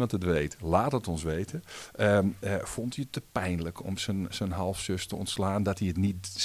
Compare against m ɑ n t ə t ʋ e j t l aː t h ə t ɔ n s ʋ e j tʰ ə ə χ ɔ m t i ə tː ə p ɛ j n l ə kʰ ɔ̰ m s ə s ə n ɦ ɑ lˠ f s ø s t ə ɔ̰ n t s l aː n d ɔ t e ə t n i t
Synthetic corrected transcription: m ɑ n t ə t ʋ e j t l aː t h ə t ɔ n s ʋ e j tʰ ə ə f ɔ n t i ə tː ə p ɛ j n l ə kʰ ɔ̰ m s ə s ə n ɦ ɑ lˠ f s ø s t ə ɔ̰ n t s l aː n d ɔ t i ə t n i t